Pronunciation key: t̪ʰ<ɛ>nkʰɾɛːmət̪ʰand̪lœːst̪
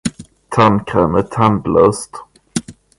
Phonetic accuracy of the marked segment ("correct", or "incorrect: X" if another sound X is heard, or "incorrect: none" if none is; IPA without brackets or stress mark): incorrect: a